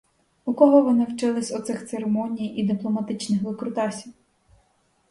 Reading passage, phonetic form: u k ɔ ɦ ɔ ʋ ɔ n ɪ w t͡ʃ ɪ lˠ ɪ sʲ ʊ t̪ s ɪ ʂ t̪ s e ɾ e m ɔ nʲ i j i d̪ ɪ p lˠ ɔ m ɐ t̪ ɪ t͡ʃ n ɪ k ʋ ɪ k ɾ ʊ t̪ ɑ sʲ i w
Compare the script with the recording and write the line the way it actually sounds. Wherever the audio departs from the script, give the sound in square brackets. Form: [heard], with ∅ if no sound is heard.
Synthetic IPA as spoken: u k ɔ ɦ ɔ ʋ ɔ n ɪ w t͡ʃ ɪ lˠ ɪ sʲ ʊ t̪ s ɪ [x] t̪ s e ɾ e m ɔ nʲ i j i d̪ ɪ p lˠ ɔ m ɐ t̪ ɪ t͡ʃ n ɪ [x] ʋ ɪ k ɾ ʊ t̪ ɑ sʲ i w